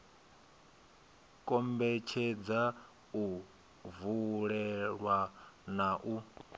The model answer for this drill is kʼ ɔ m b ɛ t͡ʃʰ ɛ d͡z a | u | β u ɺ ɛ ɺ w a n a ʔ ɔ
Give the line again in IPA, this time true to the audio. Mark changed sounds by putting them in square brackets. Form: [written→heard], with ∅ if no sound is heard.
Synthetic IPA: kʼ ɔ m b ɛ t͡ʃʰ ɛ d͡z a | u | [β→v] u ɺ ɛ ɺ w a n a ʔ [ɔ→u]